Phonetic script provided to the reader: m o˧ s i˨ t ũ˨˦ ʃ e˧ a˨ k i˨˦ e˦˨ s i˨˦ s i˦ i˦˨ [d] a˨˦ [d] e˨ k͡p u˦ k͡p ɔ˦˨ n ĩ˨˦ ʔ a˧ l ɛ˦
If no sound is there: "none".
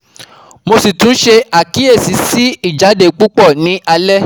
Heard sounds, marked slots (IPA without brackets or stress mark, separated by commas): d͡ʒ, d